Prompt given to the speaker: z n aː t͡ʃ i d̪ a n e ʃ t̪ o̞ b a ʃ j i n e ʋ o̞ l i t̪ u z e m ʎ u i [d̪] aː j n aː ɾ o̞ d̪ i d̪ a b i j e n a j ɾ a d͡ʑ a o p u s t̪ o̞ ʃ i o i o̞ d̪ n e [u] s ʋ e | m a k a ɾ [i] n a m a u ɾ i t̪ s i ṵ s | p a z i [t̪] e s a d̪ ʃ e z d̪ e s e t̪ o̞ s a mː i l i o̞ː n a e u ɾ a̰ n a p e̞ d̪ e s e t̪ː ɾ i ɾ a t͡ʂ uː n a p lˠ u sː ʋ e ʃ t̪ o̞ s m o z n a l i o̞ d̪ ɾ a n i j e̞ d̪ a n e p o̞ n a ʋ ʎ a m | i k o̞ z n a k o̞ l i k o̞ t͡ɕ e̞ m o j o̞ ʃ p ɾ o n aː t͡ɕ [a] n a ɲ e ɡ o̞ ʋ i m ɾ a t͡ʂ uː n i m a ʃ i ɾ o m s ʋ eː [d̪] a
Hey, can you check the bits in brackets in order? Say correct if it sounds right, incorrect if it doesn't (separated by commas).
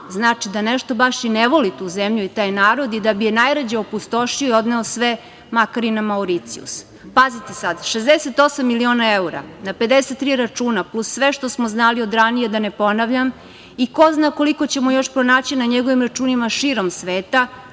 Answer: incorrect, incorrect, correct, correct, incorrect, incorrect